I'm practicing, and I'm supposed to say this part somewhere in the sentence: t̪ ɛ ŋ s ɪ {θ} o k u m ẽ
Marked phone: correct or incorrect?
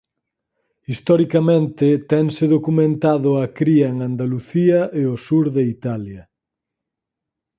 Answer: incorrect